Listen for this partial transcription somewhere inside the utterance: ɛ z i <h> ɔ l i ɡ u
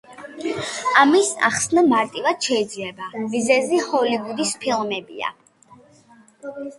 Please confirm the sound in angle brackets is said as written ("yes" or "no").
yes